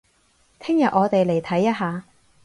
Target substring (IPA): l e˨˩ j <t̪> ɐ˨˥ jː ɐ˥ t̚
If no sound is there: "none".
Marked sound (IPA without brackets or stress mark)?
t̪ʰ